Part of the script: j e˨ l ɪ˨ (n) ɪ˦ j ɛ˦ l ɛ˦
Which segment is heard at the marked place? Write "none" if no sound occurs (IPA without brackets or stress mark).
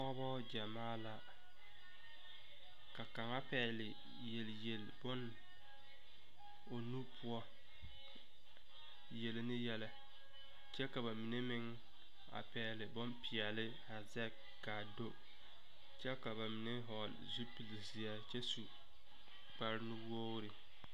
n